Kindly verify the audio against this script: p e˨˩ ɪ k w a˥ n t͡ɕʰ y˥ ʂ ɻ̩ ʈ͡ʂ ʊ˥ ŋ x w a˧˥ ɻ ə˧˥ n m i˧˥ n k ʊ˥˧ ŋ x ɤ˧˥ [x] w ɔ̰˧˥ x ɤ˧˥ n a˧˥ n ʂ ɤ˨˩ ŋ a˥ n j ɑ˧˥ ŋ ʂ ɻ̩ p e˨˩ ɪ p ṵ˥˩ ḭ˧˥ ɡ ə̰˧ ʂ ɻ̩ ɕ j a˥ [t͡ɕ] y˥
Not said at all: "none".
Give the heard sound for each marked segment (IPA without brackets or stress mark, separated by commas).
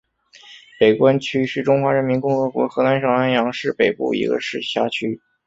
k, t͡ɕʰ